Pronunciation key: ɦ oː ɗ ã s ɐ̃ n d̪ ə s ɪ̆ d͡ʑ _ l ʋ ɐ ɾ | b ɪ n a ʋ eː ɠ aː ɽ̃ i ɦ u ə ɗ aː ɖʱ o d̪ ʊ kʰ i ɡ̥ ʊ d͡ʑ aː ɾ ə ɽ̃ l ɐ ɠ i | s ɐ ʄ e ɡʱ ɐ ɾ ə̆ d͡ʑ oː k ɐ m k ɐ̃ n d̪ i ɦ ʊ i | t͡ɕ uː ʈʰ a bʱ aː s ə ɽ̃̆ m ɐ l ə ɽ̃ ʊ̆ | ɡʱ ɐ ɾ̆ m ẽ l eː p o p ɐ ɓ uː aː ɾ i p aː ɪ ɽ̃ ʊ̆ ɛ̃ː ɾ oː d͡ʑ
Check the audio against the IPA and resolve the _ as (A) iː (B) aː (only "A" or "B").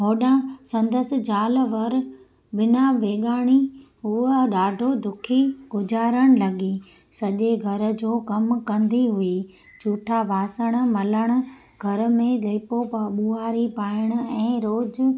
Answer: B